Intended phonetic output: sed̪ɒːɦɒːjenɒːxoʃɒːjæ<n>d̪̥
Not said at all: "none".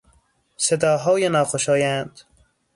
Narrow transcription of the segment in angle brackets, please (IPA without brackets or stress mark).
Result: n